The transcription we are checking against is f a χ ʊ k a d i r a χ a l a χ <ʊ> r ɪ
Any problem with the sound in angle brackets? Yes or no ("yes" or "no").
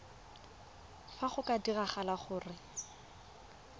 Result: yes